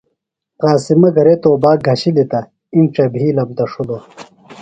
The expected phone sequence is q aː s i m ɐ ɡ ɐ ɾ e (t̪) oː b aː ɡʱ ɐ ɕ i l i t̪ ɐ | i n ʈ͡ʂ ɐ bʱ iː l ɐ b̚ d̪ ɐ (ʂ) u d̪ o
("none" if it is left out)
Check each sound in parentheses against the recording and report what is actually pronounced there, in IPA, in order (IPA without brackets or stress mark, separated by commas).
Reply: t̪, ʂ